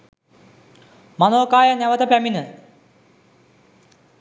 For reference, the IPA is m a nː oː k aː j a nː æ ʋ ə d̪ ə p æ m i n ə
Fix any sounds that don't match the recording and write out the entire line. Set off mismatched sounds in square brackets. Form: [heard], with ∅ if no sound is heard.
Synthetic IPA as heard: m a [n] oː k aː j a [n] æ ʋ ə [t̪] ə p æ m i n ə